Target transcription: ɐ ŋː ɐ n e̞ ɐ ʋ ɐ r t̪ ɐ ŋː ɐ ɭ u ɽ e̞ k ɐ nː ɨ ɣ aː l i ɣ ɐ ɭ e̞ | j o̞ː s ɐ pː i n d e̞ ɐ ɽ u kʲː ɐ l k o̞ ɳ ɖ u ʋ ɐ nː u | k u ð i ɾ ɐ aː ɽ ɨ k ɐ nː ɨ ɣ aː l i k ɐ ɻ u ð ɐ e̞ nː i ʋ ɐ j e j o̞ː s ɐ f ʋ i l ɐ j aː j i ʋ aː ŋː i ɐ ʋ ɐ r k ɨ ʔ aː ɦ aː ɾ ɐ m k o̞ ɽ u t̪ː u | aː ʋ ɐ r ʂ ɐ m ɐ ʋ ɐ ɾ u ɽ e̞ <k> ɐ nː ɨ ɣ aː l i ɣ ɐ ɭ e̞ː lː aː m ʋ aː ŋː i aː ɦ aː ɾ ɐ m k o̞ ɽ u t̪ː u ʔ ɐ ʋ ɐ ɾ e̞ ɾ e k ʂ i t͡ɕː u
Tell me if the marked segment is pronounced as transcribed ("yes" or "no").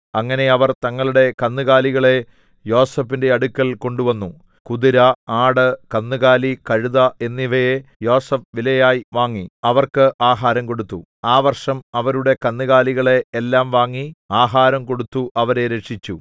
yes